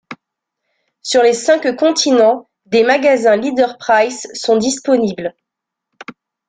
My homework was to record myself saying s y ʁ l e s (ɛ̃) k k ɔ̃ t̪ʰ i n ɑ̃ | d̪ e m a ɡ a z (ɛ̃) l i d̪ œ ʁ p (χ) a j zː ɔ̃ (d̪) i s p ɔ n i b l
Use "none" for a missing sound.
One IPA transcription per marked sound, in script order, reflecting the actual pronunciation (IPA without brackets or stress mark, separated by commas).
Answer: ɛ̃, ɛ̃, χ, d̪